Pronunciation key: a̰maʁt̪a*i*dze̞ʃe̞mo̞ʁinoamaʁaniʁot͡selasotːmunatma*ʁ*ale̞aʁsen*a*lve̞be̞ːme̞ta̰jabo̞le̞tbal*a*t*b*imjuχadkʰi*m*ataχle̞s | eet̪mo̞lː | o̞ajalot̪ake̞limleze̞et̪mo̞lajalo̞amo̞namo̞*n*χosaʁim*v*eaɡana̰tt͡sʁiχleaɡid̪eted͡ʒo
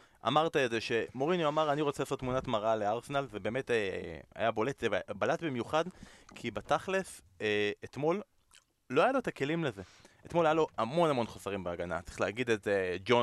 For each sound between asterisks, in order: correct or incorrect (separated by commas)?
incorrect, correct, correct, correct, correct, incorrect, correct, incorrect